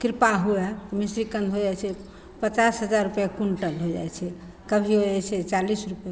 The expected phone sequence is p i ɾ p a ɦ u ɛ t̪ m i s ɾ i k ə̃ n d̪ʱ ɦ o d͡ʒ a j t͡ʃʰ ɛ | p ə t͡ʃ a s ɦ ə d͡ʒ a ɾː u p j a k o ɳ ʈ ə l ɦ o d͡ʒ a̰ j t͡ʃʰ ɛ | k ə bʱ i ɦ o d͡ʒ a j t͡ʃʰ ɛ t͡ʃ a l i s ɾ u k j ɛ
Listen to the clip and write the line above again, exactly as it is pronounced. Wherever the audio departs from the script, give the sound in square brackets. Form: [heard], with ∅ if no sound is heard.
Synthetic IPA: [k] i ɾ p a ɦ u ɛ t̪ m i s ɾ i k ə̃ n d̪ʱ ɦ o d͡ʒ a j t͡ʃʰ ɛ | p ə t͡ʃ a s ɦ ə d͡ʒ a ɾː u p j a k [u] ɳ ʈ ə l ɦ o d͡ʒ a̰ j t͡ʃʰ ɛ | k ə bʱ i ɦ o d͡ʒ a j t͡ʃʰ ɛ t͡ʃ a l i s ɾ u [p] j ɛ

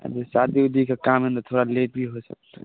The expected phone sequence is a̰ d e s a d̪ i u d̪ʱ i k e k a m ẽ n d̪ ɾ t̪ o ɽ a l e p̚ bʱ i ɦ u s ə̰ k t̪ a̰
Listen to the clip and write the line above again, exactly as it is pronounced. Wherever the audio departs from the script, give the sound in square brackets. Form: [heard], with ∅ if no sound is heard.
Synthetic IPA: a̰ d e s a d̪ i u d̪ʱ i k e k a m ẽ n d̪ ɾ [t̪ʰ] o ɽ a l e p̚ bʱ i ɦ [o] s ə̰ k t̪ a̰

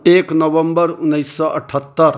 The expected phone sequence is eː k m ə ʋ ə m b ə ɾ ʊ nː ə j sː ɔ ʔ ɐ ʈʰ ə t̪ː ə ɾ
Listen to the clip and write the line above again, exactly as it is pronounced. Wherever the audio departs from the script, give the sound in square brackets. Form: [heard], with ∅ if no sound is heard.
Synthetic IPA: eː k [n] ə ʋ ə m b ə ɾ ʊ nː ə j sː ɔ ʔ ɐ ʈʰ ə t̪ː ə ɾ

